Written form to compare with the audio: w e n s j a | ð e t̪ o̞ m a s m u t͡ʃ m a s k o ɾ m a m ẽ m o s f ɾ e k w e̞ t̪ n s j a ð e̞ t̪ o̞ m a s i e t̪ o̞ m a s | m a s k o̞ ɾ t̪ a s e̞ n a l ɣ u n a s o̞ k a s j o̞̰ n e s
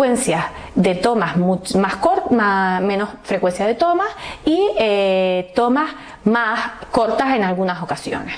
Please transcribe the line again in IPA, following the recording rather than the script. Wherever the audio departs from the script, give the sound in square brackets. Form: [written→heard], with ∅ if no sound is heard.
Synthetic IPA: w e n s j a | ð e t̪ o̞ m a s m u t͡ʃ m a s k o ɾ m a m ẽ [m→n] o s f ɾ e k w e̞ [t̪→∅] n s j a ð e̞ t̪ o̞ m a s i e t̪ o̞ m a s | m a s k o̞ ɾ t̪ a s e̞ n a l ɣ u n a s o̞ k a s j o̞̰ n e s